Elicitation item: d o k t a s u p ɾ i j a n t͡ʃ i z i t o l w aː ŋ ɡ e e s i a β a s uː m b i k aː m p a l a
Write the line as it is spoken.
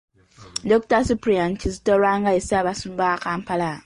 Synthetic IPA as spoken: d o k t a s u p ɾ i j a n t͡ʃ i z i t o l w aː ŋ ɡ a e s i a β a s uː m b a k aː m p a l a